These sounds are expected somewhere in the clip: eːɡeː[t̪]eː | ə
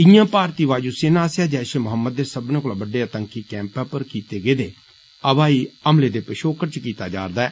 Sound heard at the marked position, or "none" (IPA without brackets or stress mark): d̪